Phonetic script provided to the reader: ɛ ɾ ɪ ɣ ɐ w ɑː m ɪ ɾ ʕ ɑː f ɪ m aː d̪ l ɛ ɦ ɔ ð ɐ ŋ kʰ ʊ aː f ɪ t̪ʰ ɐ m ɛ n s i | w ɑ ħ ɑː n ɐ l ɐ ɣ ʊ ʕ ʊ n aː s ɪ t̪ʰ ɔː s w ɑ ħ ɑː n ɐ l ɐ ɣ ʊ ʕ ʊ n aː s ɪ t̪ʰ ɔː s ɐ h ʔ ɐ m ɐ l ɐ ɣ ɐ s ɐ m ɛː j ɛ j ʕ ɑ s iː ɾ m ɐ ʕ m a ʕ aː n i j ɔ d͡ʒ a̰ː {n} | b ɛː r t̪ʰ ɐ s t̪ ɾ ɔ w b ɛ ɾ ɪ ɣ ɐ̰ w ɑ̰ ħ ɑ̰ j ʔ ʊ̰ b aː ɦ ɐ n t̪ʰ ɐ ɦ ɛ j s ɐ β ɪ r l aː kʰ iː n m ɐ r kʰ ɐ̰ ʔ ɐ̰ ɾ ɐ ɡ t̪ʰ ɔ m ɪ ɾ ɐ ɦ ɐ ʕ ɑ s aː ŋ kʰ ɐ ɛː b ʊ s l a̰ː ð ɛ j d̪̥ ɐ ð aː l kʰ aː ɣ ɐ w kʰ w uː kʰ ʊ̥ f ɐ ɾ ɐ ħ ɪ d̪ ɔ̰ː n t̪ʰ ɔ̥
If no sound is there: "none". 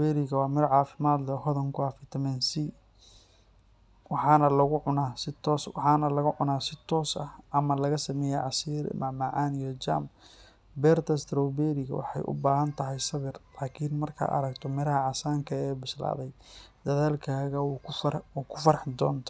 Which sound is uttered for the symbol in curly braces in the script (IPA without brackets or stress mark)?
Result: m